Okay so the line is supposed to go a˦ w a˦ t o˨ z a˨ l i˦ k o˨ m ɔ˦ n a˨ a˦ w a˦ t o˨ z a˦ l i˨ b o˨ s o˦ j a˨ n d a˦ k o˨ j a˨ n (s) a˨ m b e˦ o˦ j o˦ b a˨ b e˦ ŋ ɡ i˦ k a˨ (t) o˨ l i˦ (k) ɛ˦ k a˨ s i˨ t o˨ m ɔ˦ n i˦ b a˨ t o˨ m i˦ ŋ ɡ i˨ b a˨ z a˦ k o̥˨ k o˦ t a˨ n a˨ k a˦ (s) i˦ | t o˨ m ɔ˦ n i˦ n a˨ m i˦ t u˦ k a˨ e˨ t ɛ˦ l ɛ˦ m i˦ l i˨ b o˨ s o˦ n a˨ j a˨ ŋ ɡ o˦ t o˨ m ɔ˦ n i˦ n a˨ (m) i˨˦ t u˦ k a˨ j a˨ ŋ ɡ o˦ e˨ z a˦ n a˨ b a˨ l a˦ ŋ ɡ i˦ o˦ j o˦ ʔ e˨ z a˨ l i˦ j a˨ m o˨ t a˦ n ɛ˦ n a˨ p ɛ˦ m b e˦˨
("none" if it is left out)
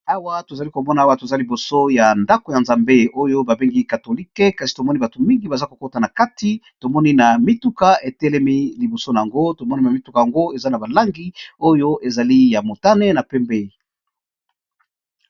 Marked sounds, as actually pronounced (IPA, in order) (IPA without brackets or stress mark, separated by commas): z, t, k, t, m